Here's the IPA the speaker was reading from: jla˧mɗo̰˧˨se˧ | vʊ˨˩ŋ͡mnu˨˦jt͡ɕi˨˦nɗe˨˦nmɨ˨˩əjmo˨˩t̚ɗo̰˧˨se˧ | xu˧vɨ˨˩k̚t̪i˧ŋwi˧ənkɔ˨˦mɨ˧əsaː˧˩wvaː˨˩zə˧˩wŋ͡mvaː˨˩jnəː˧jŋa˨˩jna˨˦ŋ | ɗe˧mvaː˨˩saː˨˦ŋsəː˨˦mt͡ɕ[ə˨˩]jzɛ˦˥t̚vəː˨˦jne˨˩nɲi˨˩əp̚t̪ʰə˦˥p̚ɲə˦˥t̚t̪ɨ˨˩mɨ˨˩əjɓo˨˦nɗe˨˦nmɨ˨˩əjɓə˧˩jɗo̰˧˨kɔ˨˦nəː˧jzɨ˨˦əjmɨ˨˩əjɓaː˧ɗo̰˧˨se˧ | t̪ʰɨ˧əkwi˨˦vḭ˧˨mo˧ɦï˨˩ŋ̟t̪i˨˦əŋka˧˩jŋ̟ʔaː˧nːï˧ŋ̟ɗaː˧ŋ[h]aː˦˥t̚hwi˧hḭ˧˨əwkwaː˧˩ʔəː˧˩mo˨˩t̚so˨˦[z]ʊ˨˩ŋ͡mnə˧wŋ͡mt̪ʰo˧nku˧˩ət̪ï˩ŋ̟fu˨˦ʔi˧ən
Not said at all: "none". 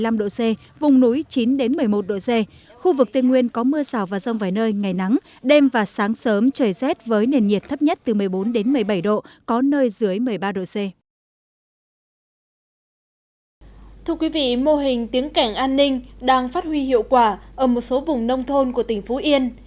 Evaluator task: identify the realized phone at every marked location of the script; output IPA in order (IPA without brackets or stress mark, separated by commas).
əː˨˩, f, v